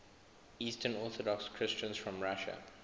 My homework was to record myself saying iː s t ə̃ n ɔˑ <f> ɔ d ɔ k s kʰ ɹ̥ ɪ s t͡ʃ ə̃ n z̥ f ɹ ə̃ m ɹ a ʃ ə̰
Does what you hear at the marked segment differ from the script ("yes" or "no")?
yes